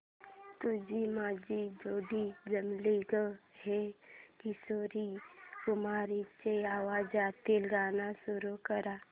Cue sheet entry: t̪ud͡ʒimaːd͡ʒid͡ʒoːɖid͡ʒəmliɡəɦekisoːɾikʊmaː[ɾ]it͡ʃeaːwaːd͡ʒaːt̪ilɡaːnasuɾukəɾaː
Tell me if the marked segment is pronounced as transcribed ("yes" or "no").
yes